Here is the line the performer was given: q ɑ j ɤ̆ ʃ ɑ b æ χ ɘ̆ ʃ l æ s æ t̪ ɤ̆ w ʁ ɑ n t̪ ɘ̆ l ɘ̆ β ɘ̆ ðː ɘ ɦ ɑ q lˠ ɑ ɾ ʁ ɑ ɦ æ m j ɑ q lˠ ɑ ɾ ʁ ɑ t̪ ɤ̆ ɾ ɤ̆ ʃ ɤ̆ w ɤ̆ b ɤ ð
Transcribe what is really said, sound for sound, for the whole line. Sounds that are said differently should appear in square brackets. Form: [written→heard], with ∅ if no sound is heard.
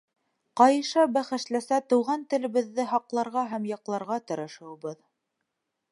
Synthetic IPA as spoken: q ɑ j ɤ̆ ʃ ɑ b æ χ ɘ̆ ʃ l æ s æ t̪ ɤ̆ w ʁ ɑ n t̪ ɘ̆ l ɘ̆ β ɘ̆ ðː ɘ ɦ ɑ q lˠ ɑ ɾ ʁ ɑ ɦ æ m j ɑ q lˠ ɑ ɾ ʁ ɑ t̪ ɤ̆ ɾ ɤ̆ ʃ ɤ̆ w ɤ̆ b ɤ ð